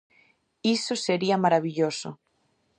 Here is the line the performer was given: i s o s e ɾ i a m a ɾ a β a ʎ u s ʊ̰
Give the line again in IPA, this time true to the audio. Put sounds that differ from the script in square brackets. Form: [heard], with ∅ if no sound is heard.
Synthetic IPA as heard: i s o s e ɾ i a m a ɾ a β [i] ʎ [o] s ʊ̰